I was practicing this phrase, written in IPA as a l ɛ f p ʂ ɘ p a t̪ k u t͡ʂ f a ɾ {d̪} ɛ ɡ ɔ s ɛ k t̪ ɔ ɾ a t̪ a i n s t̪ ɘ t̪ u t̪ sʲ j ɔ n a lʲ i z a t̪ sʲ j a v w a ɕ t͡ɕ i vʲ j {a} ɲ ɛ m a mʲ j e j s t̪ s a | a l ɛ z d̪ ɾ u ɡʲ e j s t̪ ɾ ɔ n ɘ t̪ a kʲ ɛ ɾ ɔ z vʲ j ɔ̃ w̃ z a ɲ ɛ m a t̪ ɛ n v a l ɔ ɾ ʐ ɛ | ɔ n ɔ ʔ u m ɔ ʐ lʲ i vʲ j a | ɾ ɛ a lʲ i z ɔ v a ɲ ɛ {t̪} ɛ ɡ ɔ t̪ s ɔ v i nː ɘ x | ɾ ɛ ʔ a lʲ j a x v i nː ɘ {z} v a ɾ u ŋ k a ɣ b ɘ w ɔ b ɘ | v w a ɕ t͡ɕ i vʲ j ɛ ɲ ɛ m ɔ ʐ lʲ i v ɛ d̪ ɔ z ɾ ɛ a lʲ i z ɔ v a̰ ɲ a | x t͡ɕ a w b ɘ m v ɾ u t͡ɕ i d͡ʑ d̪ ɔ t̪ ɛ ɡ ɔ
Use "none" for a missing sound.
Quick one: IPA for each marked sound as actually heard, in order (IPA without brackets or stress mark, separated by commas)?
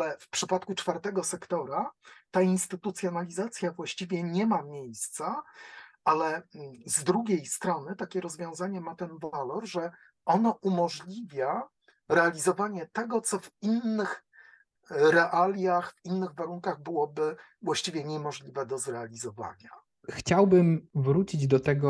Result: t̪, ɛ, t̪, ɣ